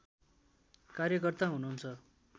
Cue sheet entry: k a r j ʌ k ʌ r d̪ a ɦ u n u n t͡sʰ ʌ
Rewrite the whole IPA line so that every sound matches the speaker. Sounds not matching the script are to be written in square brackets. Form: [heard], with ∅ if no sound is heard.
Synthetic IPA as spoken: k a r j ʌ k ʌ r [t̪] a ɦ u n u n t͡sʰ ʌ